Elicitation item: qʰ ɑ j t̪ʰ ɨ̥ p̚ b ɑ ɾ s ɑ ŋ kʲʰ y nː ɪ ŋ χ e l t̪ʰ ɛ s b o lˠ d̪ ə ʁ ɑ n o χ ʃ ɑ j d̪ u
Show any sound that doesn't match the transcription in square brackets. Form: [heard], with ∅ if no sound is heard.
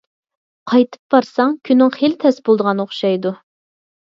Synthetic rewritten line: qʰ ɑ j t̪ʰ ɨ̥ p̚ b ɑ ɾ s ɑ ŋ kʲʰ y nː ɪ ŋ χ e l t̪ʰ ɛ s b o lˠ d̪ ə ʁ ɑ n o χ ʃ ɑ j d̪ u